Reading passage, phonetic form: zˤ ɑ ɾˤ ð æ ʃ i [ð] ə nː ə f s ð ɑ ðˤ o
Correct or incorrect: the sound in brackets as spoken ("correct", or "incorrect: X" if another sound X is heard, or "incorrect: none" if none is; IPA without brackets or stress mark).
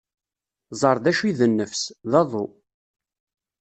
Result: correct